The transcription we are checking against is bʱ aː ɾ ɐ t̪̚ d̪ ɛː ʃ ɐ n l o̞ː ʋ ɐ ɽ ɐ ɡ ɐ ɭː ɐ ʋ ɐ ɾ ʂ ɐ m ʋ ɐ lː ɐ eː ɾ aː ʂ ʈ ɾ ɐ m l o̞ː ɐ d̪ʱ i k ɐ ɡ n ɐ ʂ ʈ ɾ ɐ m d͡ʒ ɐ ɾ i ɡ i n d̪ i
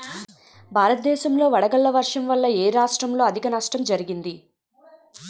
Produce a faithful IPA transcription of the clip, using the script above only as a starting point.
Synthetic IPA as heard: bʱ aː ɾ ɐ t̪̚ d̪ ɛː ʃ ɐ m l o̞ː ʋ ɐ ɽ ɐ ɡ ɐ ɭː ɐ ʋ ɐ ɾ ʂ ɐ m ʋ ɐ lː ɐ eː ɾ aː ʂ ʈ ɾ ɐ m l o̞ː ɐ d̪ʱ i k ɐ n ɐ ʂ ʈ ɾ ɐ m d͡ʒ ɐ ɾ i ɡ i n d̪ i